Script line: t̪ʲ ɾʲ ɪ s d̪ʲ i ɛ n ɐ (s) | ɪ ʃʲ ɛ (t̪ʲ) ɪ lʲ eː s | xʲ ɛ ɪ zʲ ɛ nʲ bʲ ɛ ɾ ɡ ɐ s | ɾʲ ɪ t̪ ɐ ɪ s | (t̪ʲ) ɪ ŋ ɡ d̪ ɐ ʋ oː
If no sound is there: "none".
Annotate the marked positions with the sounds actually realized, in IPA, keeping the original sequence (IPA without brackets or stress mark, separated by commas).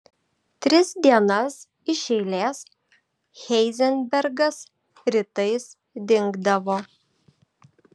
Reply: s, none, d̪ʲ